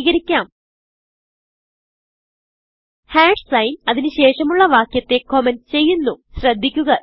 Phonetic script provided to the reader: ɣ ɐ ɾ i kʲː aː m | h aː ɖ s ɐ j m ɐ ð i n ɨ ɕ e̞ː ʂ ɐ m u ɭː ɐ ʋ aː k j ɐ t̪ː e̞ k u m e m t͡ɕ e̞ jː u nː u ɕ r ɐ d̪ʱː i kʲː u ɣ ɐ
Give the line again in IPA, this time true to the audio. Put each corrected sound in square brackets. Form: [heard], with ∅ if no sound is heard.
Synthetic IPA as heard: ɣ ɐ ɾ i kʲː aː m | h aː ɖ s ɐ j [n] ɐ ð i n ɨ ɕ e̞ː ʂ ɐ m u ɭː ɐ ʋ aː k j ɐ t̪ː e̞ k [o] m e [n] t͡ɕ e̞ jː u nː u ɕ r ɐ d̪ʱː i kʲː u ɣ ɐ

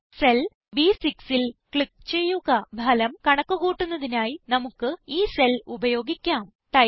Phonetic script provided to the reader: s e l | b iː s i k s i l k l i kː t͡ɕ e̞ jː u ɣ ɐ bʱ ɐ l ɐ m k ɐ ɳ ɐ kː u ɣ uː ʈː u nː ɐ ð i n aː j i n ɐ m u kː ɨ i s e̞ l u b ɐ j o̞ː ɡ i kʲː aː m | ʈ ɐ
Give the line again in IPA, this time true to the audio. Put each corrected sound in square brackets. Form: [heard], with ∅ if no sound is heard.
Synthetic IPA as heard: s e l | b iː s i k s i l k [ɭ] i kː t͡ɕ e̞ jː u ɣ ɐ bʱ ɐ l ɐ m k ɐ ɳ ɐ kː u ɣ uː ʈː u nː ɐ ð i n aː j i n ɐ m u kː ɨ [iː] s e̞ l u b ɐ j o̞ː ɡ i kʲː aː m | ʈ ɐ

